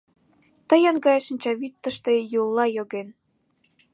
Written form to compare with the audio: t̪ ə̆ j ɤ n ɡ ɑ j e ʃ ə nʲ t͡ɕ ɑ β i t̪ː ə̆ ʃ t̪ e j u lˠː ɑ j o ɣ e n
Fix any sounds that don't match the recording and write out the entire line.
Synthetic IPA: t̪ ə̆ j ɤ n ɡ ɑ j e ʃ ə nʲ t͡ɕ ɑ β i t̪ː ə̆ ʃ t̪ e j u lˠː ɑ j o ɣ e n